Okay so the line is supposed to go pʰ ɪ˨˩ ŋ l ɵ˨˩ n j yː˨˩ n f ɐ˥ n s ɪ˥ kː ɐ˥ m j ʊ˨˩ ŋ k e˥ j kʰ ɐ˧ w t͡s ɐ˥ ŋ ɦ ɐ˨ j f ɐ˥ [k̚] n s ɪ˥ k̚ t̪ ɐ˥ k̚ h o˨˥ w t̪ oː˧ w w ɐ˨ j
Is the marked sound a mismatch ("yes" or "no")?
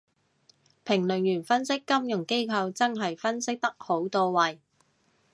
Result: yes